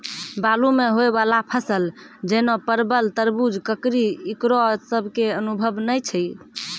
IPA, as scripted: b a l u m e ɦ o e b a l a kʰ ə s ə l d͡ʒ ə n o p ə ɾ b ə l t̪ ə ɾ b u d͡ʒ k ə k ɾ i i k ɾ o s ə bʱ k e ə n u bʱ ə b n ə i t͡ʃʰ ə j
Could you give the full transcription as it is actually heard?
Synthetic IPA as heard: b a l u m e ɦ o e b a l a pʰ ə s ə l d͡ʒ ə n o p ə ɾ b ə l t̪ ə ɾ b u d͡ʒ k ə k ɾ i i k ɾ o s ə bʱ k e ə n u bʱ ə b n ə j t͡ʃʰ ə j